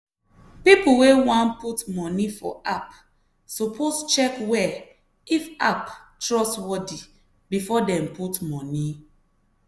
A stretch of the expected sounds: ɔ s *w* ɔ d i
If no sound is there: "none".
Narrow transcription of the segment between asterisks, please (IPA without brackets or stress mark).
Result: w